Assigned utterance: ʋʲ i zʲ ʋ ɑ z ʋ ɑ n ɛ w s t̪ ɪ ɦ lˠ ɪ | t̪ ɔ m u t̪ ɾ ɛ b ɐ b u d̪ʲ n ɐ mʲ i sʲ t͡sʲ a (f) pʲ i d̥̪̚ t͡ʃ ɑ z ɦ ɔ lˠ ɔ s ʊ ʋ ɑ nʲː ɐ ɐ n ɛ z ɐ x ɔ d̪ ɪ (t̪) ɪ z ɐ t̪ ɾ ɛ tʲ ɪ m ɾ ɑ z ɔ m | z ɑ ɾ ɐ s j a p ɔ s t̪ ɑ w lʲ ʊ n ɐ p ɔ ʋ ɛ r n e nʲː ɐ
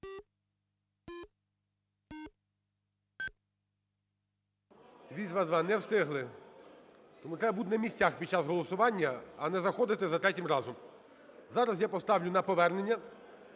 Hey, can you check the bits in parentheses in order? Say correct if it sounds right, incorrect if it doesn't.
incorrect: x, correct

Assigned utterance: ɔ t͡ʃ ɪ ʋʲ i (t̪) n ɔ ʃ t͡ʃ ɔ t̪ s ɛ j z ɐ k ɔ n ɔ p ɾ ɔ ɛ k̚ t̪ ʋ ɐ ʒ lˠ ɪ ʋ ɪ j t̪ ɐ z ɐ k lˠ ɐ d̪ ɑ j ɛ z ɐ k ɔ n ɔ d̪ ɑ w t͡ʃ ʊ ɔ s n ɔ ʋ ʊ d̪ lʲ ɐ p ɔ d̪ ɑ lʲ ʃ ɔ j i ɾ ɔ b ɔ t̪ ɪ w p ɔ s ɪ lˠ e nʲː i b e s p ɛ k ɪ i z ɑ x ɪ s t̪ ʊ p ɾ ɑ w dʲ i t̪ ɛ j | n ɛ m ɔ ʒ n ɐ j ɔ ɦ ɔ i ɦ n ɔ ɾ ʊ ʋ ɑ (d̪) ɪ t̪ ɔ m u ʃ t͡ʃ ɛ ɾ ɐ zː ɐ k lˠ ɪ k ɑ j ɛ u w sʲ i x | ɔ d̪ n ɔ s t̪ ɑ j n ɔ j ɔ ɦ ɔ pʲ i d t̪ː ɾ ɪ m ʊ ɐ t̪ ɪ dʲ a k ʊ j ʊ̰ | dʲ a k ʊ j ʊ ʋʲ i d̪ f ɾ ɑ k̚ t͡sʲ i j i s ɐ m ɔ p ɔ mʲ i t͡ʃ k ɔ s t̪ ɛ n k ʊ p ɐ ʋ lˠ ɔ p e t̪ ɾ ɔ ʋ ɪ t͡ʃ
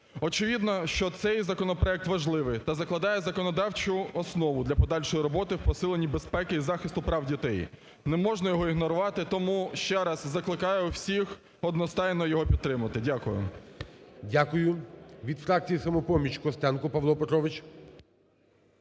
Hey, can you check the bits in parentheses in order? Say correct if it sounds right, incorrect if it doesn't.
incorrect: d̪, incorrect: t̪

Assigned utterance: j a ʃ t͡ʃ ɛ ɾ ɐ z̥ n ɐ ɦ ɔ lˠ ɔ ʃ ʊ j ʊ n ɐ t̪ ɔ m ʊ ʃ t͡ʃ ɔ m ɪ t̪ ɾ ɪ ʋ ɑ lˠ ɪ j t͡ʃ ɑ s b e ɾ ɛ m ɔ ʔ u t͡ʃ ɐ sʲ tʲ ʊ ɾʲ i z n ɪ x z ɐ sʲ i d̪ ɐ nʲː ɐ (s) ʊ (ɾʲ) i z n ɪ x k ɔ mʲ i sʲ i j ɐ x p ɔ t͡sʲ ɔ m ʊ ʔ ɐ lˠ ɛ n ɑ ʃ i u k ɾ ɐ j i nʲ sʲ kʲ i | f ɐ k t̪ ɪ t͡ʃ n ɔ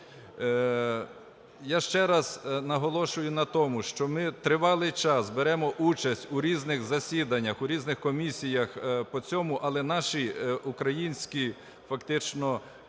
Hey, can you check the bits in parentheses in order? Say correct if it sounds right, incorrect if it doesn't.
incorrect: x, correct

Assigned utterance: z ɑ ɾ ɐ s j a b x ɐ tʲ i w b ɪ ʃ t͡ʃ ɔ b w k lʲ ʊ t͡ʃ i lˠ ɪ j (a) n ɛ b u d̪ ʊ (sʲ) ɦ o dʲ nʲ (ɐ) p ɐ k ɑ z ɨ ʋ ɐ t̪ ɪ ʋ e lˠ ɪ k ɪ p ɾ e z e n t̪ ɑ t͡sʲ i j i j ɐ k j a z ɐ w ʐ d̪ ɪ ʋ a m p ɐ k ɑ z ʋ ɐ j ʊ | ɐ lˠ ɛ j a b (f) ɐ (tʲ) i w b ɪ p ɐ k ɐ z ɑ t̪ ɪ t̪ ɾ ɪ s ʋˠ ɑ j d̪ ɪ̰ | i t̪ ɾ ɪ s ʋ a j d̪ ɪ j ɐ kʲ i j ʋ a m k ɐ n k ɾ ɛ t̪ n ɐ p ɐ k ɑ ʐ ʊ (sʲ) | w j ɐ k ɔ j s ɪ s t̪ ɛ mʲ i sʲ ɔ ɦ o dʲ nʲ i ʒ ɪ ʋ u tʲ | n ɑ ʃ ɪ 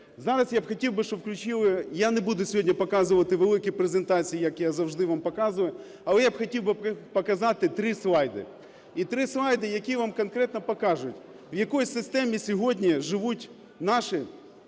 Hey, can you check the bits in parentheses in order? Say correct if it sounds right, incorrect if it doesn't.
correct, correct, correct, incorrect: x, correct, incorrect: tʲ

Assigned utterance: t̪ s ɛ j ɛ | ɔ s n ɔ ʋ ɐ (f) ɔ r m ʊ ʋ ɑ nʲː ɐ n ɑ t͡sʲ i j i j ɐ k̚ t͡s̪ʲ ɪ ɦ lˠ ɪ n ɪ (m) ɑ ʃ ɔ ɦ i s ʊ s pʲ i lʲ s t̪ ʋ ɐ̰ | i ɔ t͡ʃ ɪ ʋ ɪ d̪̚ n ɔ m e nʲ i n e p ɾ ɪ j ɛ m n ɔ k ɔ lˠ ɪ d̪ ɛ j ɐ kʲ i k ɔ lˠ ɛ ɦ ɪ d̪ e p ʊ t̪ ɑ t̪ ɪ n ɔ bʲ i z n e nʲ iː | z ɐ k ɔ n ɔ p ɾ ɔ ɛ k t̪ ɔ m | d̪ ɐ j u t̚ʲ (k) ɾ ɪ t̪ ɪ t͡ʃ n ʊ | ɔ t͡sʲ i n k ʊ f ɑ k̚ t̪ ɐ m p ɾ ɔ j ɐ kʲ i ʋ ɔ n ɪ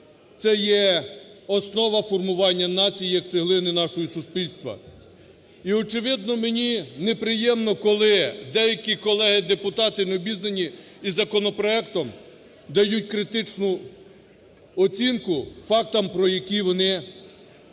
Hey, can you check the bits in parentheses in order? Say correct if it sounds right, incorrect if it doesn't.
correct, incorrect: n, correct

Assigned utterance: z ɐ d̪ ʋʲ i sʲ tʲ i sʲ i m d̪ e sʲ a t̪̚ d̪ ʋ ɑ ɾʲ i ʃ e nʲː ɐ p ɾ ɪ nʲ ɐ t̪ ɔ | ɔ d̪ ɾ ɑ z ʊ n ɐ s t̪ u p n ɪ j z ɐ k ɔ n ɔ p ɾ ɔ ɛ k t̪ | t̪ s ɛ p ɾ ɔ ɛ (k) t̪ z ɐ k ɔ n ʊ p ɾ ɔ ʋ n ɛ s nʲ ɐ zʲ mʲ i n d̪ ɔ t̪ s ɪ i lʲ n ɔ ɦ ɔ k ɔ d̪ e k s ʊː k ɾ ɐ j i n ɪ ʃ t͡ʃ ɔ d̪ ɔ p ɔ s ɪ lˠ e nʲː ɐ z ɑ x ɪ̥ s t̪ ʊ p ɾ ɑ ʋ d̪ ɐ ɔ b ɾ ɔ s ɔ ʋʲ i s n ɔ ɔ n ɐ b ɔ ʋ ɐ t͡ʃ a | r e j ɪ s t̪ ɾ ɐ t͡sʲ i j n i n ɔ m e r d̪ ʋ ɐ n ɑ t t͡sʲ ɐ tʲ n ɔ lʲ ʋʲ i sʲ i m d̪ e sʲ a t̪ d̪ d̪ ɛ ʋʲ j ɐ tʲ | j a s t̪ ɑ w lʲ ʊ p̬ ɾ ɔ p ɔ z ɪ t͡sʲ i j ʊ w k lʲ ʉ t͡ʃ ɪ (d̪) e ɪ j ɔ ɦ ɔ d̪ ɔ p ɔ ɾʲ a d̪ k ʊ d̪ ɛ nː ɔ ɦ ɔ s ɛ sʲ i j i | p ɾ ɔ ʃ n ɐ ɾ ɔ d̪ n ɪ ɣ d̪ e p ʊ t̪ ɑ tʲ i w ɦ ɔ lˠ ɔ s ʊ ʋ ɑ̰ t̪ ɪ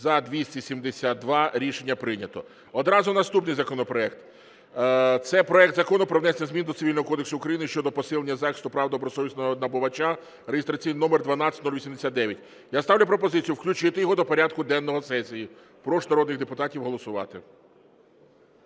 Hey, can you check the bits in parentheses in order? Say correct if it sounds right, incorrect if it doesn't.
correct, incorrect: t̪

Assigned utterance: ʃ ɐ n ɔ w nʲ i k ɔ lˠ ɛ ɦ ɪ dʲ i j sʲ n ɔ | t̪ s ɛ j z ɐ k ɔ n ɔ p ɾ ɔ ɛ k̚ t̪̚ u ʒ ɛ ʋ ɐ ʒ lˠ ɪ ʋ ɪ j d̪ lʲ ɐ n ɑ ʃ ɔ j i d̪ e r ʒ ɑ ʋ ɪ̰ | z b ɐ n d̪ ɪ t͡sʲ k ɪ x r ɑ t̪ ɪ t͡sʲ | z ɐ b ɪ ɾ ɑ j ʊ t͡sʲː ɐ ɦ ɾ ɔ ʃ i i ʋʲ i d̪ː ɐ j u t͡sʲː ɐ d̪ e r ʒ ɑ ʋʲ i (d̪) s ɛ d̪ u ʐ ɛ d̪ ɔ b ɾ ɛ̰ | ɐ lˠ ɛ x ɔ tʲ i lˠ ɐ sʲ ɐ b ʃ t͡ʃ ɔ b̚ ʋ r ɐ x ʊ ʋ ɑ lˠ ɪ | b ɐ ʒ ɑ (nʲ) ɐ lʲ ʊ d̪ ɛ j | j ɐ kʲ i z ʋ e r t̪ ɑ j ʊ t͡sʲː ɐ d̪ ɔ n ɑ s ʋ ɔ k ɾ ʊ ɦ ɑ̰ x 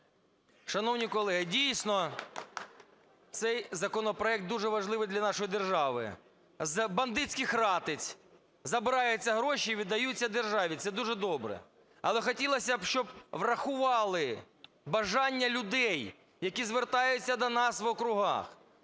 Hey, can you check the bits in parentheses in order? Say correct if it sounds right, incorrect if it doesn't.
incorrect: t̪, incorrect: nʲː

